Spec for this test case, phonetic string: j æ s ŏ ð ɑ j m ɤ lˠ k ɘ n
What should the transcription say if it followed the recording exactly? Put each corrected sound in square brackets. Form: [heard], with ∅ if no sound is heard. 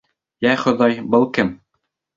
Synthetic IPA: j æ [χ] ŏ ð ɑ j [b] ɤ lˠ k ɘ [m]

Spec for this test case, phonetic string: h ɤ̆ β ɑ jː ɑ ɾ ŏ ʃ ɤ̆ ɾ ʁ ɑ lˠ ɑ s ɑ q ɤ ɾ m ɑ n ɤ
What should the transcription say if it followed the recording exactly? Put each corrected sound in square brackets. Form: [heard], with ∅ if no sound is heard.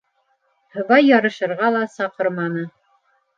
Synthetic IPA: h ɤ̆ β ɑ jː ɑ ɾ [ɤ̆] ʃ ɤ̆ ɾ ʁ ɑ lˠ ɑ s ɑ q ɤ ɾ m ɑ n ɤ

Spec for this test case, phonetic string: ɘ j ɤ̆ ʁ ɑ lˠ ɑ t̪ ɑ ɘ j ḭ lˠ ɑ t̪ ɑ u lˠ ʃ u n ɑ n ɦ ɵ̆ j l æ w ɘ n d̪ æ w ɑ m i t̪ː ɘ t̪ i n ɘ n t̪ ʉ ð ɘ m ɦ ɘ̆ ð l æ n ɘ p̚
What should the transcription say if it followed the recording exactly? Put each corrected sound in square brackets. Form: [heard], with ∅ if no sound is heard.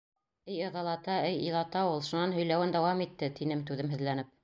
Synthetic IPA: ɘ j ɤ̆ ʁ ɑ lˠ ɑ t̪ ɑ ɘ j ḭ lˠ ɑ t̪ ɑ u lˠ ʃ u n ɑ n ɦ ɵ̆ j l æ w ɘ n d̪ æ w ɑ m i t̪ː ɘ t̪ i n ɘ [m] t̪ ʉ ð ɘ m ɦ ɘ̆ ð l æ n ɘ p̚

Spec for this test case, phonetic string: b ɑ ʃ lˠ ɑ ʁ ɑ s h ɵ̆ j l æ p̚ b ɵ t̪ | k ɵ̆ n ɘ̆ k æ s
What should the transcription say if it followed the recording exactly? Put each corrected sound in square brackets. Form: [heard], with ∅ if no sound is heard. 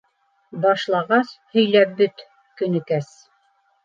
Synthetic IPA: b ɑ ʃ lˠ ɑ ʁ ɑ s h ɵ̆ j l æ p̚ b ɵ t̪ | k ɵ̆ n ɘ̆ k æ s

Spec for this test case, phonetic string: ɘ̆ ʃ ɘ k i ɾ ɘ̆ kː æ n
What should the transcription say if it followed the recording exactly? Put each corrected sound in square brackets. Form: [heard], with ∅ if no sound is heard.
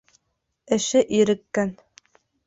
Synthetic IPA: ɘ̆ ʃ ɘ [ʔ] i ɾ ɘ̆ kː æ n

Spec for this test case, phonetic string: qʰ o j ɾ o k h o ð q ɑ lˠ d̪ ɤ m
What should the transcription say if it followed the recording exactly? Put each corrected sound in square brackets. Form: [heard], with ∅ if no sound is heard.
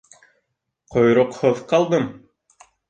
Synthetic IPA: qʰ o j ɾ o [q] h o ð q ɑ lˠ d̪ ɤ m

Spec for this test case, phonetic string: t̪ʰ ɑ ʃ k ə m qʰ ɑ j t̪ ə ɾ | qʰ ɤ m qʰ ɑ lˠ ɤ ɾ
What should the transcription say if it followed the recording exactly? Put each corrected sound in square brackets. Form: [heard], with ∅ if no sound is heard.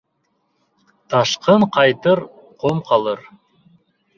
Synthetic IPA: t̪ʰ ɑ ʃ [q] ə [ɴ] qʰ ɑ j t̪ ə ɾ | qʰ [o] m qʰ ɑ lˠ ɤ ɾ

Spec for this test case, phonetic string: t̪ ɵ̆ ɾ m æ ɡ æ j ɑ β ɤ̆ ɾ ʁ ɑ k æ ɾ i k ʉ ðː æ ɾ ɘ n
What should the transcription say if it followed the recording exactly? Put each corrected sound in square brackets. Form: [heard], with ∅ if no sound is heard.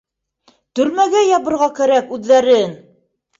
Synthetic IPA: t̪ ɵ̆ ɾ m æ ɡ æ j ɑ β ɤ̆ ɾ ʁ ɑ k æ ɾ [æ] k ʉ ðː æ ɾ ɘ n

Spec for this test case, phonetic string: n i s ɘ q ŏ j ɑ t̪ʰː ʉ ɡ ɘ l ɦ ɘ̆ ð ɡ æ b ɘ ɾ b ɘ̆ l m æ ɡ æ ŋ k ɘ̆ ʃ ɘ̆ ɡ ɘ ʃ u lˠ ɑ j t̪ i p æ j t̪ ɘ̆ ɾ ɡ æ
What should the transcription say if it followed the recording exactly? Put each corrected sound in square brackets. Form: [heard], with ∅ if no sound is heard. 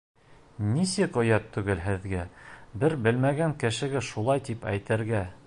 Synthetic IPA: n i s ɘ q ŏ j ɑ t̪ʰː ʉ ɡ ɘ l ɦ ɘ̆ ð ɡ æ b ɘ ɾ b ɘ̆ l m æ ɡ æ ŋ k ɘ̆ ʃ ɘ̆ ɡ ɘ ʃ u lˠ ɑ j t̪ i p æ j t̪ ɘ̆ ɾ ɡ æ

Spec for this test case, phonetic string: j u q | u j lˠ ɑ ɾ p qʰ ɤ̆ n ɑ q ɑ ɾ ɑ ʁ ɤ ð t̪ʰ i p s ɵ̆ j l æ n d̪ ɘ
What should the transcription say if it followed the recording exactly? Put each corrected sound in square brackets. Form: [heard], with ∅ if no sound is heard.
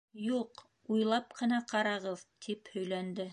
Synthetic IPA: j u q | u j lˠ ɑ [∅] p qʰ ɤ̆ n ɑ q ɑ ɾ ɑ ʁ ɤ ð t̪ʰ i p [h] ɵ̆ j l æ n d̪ ɘ

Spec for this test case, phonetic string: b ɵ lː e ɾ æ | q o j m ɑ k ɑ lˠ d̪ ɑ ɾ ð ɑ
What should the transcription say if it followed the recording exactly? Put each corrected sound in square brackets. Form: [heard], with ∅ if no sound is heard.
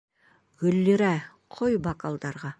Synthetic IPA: [ɡ] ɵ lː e ɾ æ | [qʰ] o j [b] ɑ k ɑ lˠ d̪ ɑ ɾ [ʁ] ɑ

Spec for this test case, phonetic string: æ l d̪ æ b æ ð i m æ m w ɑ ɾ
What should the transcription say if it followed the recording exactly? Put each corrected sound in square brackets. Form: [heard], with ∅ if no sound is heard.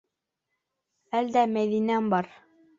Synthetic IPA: æ l d̪ æ [m] æ ð i [n] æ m [b] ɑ ɾ

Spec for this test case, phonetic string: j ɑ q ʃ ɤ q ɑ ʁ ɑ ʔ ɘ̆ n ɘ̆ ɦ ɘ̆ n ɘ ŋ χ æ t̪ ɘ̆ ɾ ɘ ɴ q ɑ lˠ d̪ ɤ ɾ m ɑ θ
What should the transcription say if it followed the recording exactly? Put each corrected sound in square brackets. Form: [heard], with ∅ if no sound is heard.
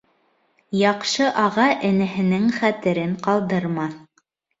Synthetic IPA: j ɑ q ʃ ɤ [ʔ] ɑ ʁ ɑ ʔ ɘ̆ n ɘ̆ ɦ ɘ̆ n ɘ ŋ χ æ t̪ ɘ̆ ɾ ɘ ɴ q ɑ lˠ d̪ ɤ ɾ m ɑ θ

